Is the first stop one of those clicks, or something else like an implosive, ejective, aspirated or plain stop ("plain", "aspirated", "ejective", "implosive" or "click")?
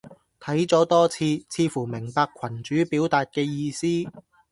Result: aspirated